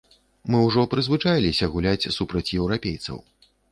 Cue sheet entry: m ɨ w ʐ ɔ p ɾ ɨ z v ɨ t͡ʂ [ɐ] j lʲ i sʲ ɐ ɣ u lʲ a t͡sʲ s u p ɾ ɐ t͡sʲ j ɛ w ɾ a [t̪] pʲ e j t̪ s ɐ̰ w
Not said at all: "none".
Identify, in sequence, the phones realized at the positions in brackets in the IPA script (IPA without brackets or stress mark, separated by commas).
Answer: a, none